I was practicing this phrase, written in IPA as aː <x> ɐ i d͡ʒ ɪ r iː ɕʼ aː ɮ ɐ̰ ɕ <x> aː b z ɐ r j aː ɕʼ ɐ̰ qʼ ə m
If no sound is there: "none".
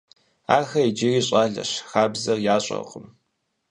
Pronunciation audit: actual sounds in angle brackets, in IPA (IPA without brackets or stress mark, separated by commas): x, x